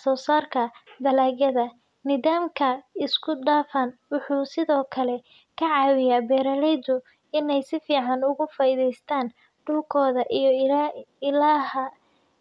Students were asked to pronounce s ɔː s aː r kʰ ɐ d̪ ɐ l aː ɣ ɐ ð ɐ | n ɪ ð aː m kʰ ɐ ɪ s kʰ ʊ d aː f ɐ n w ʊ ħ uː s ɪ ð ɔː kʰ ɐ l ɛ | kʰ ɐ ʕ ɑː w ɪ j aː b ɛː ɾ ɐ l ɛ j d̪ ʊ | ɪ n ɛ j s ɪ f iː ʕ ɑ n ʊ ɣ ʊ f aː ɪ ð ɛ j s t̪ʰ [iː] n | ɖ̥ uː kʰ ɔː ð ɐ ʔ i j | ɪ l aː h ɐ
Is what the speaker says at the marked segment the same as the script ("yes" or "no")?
no